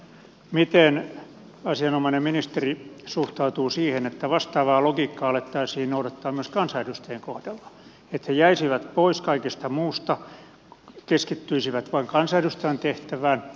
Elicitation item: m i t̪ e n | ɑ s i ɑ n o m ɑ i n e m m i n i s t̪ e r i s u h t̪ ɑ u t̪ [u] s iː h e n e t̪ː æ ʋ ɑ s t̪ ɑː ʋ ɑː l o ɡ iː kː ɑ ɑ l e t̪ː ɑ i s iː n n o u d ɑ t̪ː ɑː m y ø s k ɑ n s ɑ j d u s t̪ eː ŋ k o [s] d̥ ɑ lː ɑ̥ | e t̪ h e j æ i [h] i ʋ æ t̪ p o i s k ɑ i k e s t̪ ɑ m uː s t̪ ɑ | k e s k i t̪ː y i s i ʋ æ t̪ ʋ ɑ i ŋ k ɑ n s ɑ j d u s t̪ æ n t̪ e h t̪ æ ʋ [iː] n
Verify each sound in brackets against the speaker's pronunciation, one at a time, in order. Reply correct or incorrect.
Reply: incorrect: uː, incorrect: h, incorrect: s, incorrect: æː

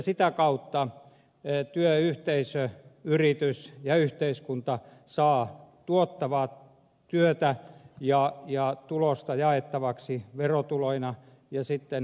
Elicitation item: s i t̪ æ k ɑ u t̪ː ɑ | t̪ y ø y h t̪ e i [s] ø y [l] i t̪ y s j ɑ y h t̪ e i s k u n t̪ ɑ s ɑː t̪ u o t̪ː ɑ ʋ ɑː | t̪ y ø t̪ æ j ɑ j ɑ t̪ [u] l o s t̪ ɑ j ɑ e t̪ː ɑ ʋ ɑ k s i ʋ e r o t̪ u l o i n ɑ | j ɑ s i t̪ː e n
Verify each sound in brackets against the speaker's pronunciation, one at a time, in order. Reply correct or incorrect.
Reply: correct, incorrect: r, correct

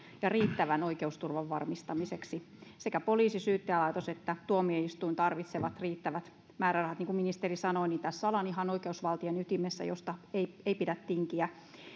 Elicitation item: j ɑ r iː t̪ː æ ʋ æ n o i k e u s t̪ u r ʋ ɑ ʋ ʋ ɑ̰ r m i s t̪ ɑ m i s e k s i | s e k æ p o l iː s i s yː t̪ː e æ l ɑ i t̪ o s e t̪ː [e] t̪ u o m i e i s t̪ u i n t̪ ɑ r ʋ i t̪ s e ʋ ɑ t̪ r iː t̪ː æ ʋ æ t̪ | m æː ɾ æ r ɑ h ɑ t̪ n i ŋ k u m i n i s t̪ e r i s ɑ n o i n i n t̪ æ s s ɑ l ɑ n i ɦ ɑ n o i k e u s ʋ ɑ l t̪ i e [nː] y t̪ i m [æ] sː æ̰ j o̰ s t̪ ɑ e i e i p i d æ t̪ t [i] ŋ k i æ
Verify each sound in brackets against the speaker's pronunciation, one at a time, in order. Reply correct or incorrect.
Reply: incorrect: æ, incorrect: n, incorrect: e, correct

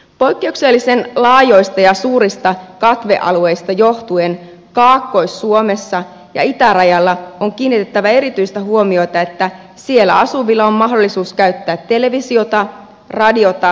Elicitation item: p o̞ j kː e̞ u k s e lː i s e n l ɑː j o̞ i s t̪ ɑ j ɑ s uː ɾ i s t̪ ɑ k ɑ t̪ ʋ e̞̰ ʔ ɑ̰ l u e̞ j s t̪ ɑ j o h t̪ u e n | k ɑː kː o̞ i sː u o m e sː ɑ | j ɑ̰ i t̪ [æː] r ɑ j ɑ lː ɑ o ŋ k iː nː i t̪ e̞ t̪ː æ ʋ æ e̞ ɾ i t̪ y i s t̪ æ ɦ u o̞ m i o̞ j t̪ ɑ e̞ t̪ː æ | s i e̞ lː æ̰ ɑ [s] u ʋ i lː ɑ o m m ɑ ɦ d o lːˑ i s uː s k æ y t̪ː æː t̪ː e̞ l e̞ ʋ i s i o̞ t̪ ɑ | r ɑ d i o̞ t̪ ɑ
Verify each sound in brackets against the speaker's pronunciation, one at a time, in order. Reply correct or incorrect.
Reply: incorrect: æ, correct

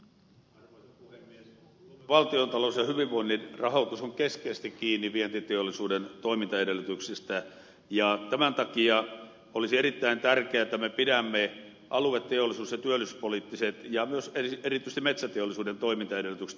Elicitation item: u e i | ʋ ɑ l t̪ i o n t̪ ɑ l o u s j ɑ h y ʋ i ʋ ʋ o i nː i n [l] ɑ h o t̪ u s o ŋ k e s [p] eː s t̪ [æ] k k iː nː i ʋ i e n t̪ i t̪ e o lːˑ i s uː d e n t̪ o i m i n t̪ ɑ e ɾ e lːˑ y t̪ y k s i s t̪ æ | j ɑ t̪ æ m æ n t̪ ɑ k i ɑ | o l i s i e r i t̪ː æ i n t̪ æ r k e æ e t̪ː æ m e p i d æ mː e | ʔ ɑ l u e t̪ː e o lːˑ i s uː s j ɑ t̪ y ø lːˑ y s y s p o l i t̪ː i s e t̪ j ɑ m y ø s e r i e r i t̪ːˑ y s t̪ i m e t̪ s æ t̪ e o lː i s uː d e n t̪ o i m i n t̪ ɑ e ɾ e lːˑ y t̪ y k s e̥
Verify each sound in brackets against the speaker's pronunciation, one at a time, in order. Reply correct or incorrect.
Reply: incorrect: r, incorrect: k, incorrect: i

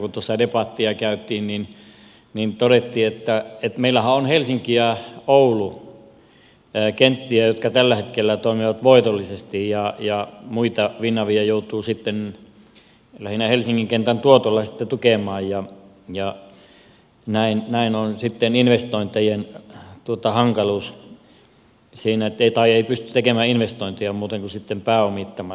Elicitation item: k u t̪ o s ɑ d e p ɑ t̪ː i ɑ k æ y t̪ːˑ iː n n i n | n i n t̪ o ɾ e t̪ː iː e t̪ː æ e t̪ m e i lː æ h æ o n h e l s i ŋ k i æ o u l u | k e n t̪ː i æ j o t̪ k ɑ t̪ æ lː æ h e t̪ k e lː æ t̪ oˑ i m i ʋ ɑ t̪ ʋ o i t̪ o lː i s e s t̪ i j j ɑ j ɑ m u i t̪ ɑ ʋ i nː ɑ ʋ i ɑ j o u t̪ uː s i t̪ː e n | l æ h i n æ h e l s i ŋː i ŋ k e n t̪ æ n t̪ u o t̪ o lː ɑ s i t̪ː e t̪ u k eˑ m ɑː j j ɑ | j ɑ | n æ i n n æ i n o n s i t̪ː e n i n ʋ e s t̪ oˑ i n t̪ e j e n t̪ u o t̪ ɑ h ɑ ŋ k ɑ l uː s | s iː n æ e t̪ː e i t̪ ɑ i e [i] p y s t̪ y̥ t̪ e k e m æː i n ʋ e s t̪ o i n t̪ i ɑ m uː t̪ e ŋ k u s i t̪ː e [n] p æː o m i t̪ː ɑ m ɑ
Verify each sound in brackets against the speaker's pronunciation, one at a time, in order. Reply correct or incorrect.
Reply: correct, incorrect: m

